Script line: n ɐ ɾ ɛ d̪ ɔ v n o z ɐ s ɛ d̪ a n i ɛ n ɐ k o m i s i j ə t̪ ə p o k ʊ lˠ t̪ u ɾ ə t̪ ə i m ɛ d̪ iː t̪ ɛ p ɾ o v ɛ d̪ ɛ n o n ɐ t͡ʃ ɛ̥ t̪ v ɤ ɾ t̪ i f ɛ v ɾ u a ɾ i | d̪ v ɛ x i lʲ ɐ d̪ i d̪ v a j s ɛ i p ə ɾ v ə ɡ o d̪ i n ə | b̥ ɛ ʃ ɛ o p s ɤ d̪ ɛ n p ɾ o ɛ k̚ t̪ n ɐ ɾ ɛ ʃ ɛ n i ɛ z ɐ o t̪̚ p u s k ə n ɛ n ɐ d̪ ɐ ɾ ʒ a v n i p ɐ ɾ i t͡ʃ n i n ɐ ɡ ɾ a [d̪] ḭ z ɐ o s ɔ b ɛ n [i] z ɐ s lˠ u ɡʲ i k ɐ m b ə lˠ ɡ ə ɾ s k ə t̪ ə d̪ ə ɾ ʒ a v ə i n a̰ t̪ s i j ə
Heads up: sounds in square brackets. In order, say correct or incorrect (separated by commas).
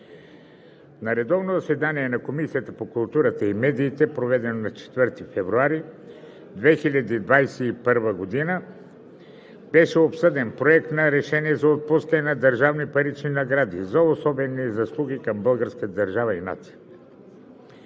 correct, correct